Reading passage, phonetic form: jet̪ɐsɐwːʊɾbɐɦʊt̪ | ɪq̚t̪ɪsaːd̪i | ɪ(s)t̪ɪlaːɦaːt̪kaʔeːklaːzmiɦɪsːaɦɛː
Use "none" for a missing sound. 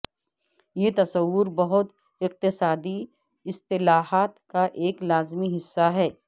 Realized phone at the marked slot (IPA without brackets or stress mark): s